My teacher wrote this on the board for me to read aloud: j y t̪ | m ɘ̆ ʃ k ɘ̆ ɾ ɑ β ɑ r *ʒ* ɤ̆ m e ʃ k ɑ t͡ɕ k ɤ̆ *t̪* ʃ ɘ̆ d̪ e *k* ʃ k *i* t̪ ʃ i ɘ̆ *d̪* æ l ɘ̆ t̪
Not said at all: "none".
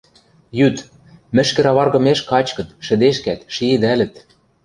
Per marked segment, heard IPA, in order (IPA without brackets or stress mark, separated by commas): ɣ, t̪, none, æ, d̪